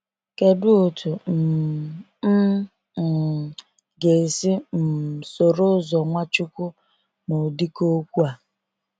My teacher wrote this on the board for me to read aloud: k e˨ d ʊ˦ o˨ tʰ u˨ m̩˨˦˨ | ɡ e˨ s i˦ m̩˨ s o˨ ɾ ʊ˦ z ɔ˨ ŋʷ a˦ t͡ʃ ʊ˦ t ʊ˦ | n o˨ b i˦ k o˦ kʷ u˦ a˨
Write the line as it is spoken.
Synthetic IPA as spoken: k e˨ d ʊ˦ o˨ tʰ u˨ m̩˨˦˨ | ɡ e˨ s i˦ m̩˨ s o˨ ɾ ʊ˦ z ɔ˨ ŋʷ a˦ t͡ʃ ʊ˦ k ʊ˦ | n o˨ d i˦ k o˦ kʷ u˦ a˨